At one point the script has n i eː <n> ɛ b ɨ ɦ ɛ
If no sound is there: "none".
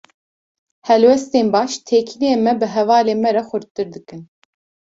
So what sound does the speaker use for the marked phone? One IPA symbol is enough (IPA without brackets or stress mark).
m